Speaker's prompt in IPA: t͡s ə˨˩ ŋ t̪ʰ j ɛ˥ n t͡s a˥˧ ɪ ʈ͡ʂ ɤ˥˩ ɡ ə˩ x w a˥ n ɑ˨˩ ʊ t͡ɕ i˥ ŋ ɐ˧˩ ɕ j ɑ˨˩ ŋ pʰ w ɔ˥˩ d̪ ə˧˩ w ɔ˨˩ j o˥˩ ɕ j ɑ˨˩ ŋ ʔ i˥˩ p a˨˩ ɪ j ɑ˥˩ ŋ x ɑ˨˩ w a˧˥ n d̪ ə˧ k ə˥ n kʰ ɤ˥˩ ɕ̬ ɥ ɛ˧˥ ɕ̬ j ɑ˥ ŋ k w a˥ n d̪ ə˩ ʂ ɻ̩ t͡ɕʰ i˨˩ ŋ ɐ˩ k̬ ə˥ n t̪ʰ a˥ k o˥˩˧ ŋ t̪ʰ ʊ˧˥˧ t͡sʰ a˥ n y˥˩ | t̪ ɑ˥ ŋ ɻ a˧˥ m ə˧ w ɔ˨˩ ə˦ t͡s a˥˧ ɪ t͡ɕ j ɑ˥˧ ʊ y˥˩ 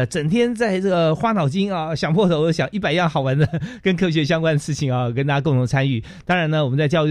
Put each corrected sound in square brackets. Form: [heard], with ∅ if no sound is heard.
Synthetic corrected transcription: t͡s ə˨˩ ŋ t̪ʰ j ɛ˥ n t͡s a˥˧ ɪ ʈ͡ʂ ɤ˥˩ ɡ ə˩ x w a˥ n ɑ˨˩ ʊ t͡ɕ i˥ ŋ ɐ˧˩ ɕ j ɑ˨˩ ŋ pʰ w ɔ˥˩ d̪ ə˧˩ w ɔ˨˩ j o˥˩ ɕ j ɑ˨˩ ŋ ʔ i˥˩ p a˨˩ ɪ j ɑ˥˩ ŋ x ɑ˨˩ w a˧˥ n d̪ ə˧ k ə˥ n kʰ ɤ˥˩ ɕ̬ ɥ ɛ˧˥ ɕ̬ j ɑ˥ ŋ k w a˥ n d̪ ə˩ ʂ ɻ̩ t͡ɕʰ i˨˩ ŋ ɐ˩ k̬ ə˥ n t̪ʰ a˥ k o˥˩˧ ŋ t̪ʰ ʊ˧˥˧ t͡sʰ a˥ n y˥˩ | t̪ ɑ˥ ŋ ɻ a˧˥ [n] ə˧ w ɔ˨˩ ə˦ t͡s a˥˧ ɪ t͡ɕ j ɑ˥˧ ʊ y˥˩